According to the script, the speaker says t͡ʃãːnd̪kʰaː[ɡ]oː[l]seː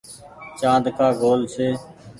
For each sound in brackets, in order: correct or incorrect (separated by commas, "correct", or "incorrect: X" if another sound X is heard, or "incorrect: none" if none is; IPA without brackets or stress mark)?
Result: correct, correct